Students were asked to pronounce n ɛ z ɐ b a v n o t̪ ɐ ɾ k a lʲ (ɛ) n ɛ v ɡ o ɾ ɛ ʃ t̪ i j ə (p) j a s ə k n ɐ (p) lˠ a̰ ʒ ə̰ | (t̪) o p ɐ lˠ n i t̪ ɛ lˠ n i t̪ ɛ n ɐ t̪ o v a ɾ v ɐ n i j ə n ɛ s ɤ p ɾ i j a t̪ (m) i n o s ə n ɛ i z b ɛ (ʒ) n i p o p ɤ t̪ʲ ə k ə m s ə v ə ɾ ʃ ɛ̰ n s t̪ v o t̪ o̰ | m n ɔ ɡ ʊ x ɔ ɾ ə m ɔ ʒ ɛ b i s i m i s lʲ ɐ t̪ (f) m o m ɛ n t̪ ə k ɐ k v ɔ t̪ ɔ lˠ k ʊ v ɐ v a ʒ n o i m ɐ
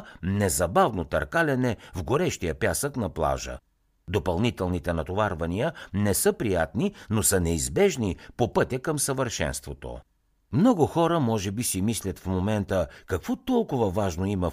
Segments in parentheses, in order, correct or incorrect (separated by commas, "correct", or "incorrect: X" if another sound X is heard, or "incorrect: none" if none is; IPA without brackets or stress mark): correct, correct, correct, incorrect: d̪, incorrect: n, correct, correct